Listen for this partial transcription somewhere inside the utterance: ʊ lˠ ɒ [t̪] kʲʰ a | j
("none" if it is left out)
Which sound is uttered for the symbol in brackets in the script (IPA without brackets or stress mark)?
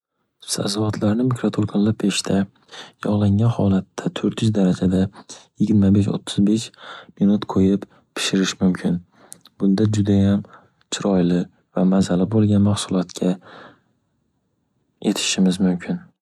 t̪